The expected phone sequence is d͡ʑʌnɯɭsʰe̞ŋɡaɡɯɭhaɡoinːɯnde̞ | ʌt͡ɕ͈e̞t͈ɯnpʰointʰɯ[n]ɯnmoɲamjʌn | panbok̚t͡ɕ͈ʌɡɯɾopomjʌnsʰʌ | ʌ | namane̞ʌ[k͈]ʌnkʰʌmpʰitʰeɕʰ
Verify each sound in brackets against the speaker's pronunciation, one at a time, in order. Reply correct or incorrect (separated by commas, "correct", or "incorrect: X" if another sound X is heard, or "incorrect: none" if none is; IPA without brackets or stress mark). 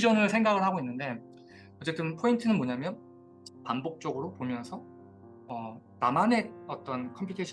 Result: correct, incorrect: t͈